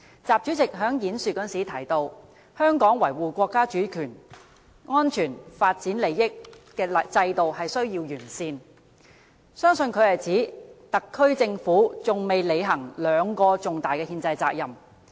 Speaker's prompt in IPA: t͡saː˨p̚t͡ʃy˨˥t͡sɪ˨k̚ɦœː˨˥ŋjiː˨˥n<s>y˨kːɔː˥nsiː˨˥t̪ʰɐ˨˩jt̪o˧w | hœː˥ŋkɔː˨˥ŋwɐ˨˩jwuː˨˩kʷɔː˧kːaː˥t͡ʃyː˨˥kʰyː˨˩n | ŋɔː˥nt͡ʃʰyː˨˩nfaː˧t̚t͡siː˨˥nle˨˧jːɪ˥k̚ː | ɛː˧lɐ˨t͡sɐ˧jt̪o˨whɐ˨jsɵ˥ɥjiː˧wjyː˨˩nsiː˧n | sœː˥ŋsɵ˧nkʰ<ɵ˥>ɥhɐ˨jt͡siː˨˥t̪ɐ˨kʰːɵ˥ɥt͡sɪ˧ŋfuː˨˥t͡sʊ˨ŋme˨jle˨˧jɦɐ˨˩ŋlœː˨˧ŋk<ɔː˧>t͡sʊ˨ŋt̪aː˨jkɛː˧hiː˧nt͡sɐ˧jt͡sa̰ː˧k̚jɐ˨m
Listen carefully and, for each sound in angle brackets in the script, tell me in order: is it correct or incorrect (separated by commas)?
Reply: correct, incorrect, correct